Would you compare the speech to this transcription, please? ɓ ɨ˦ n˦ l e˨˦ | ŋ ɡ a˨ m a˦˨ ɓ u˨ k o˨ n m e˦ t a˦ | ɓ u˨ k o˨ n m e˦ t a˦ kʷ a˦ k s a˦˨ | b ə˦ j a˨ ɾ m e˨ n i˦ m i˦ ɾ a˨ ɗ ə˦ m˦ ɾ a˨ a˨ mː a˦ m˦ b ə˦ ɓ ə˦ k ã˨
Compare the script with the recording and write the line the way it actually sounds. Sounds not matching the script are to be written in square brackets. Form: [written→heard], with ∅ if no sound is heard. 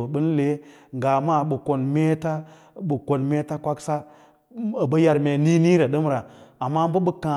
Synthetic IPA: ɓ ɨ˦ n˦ l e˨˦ | ŋ ɡ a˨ m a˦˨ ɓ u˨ k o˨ n m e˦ t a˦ | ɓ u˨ k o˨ n m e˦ t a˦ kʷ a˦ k s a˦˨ | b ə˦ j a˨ ɾ m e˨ n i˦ [m→n] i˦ ɾ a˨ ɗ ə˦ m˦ ɾ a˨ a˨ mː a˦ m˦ b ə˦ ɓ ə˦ k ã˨